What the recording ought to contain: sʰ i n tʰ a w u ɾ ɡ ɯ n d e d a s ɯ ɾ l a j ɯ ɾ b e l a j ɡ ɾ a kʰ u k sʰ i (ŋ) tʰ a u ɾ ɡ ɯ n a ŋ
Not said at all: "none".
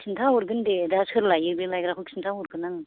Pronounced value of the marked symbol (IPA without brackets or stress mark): n